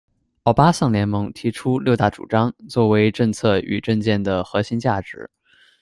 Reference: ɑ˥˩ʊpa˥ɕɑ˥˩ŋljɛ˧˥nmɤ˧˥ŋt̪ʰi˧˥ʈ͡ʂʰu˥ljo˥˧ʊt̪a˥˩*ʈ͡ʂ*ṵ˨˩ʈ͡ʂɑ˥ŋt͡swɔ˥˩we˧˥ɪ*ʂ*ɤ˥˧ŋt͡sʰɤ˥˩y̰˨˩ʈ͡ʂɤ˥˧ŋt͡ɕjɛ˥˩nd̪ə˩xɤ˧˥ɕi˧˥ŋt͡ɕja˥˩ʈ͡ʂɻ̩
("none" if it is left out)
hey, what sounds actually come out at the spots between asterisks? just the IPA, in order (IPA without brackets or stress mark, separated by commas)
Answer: ʈ͡ʂ, ʈ͡ʂ